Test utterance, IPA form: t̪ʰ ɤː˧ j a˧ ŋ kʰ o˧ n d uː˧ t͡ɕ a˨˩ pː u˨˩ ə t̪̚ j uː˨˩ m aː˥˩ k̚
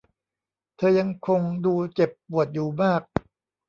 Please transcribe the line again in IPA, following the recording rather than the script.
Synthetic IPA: t̪ʰ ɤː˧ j a˧ ŋ kʰ o˧ ŋ d uː˧ t͡ɕ e˨˩ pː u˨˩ ə t̪̚ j uː˨˩ m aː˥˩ k̚